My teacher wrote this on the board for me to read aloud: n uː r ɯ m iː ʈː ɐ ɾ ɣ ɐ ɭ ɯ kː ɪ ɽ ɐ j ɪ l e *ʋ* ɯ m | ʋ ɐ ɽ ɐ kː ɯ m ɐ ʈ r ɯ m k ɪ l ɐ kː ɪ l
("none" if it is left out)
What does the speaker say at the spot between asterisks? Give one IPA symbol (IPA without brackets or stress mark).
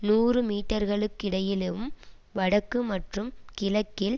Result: ʋ